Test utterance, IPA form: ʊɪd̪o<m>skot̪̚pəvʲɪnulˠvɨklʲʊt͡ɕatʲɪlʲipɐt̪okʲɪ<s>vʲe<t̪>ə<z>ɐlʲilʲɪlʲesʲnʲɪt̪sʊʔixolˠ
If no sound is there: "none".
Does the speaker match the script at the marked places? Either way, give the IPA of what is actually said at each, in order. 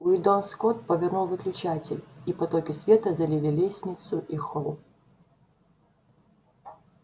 n, s, t̪, z

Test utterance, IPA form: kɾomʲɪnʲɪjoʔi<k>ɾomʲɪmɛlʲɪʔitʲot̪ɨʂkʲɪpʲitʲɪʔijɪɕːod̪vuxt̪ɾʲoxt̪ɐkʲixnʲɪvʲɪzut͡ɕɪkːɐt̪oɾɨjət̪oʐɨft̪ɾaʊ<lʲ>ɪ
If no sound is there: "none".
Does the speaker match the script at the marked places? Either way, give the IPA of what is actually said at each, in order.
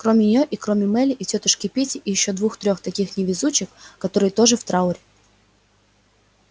k, ɾʲ

